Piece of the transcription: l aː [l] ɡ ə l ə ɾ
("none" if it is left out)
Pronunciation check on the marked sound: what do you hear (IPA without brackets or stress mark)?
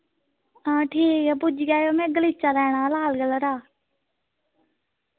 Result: l